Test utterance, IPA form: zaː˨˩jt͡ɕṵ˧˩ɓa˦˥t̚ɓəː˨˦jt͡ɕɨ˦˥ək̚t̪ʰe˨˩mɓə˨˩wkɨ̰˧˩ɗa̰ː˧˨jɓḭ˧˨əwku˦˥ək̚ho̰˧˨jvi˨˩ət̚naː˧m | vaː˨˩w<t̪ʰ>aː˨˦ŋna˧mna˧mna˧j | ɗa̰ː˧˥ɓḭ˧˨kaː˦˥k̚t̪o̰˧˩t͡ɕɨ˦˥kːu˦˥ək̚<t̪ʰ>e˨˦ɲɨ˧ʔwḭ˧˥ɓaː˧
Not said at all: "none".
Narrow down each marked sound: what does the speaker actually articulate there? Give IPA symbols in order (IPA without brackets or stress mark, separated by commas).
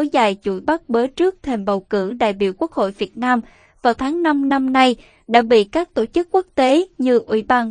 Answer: t̪ʰ, t̪